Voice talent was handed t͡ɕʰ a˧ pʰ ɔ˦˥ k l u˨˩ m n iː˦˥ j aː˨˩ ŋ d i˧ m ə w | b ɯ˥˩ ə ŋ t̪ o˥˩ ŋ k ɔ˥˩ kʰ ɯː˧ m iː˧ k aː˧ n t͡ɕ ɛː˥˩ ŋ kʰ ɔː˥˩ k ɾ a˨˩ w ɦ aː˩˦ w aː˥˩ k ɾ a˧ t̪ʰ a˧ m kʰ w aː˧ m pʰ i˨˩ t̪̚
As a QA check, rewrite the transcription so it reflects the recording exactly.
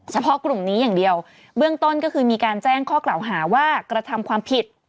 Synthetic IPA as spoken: t͡ɕʰ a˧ pʰ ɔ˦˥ k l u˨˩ m n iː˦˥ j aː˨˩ ŋ d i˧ ə w | b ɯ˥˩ ə ŋ t̪ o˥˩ n k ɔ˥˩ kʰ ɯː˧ m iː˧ k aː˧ n t͡ɕ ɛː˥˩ ŋ kʰ ɔː˥˩ k l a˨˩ w ɦ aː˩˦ w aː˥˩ k ɾ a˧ t̪ʰ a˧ m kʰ w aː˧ m pʰ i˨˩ t̪̚